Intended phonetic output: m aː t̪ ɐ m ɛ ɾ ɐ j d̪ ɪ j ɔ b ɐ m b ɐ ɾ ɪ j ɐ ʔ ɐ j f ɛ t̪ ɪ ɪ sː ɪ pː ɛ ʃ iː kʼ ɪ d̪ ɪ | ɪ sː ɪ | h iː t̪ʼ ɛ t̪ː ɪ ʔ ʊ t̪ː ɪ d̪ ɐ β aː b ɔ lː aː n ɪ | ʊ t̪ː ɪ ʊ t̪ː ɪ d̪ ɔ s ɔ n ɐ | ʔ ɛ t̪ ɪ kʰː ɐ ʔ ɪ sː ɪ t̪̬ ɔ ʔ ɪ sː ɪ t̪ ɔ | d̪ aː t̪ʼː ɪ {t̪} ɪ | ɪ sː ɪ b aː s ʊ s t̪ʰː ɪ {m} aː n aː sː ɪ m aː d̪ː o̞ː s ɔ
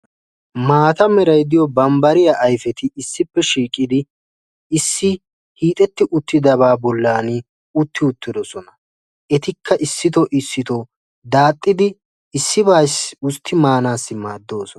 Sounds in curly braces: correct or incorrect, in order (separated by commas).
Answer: incorrect, correct